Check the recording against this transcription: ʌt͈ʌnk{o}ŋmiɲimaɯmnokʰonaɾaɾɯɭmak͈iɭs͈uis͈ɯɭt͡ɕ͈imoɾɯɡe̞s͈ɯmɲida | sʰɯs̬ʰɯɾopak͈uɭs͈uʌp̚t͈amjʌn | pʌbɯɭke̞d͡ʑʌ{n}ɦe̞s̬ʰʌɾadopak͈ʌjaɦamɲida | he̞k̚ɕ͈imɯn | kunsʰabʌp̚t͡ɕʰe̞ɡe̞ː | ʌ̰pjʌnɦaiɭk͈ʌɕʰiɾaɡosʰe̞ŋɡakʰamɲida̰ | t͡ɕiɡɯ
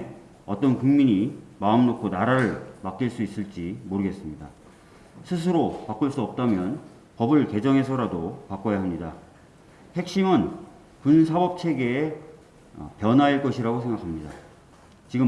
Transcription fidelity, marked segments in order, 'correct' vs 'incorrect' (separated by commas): incorrect, incorrect